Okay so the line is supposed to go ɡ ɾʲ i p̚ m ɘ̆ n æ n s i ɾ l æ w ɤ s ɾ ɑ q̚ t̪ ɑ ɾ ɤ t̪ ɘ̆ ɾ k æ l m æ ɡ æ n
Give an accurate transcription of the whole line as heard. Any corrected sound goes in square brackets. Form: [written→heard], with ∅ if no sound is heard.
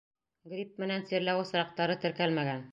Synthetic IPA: ɡ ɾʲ i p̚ m ɘ̆ n æ n s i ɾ l æ w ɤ s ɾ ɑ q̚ t̪ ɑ ɾ ɤ t̪ ɘ̆ ɾ k æ l m æ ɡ æ n

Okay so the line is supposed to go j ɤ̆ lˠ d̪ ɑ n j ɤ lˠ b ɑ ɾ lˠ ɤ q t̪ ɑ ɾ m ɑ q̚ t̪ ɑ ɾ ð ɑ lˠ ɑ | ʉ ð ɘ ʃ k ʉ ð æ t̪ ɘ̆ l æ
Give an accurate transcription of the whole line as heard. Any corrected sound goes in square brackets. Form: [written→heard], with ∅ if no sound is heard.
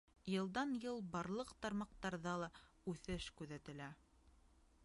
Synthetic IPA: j ɤ̆ lˠ d̪ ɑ n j ɤ lˠ b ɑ ɾ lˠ ɤ q t̪ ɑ ɾ m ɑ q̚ t̪ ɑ ɾ ð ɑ lˠ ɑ | ʉ [ð→θ] ɘ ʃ k ʉ ð æ t̪ ɘ̆ l æ

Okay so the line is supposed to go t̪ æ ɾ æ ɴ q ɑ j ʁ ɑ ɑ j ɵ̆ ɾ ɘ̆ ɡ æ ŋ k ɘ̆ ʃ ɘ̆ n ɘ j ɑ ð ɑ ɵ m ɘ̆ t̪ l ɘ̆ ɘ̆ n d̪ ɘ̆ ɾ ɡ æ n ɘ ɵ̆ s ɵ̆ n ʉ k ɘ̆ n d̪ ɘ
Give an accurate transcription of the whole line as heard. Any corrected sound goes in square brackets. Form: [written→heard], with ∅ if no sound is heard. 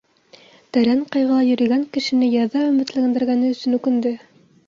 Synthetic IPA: t̪ æ ɾ æ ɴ q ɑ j ʁ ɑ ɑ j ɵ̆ ɾ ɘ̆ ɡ æ ŋ k ɘ̆ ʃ ɘ̆ n ɘ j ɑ ð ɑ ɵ m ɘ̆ t̪ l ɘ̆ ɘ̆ n d̪ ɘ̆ ɾ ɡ æ n ɘ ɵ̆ s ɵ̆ n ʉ k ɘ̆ n d̪ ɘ

